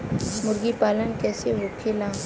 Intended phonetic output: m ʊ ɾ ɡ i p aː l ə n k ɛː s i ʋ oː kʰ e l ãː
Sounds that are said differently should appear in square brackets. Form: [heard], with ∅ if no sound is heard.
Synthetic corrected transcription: m ʊ ɾ ɡ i p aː l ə n k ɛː s [e] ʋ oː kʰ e l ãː